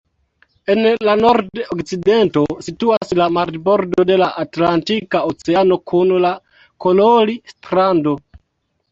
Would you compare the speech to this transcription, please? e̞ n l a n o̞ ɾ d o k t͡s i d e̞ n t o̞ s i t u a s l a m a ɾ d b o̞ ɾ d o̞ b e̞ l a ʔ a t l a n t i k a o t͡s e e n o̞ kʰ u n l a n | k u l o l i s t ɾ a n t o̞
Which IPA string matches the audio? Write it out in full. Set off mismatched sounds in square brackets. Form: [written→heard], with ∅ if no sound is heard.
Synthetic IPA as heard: e̞ n l a n o̞ ɾ d o k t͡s i d e̞ n t o̞ s i t u a s l a m a ɾ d b o̞ ɾ d o̞ [b→d] e̞ l a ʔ a t l a n t i k a o t͡s e [e→a] n o̞ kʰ u n l a [n→∅] | k [u→o] l o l i s t ɾ a n [t→d] o̞